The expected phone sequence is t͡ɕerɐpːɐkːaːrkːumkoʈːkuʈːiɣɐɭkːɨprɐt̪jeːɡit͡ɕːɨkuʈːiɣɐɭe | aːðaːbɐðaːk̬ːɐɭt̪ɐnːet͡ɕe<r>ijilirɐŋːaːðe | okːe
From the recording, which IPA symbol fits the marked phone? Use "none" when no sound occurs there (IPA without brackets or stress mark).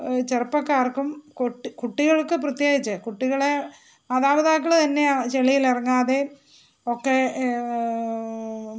ɭ